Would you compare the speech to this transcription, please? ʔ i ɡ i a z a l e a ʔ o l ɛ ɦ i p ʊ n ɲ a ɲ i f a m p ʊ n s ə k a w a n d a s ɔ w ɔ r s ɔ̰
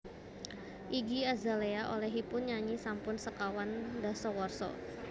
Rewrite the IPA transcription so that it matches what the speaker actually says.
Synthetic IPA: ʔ i ɡ i a z a l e a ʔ o l ɛ ɦ i p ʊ n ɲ a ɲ i s a m p ʊ n s ə k a w a n d a s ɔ w ɔ r s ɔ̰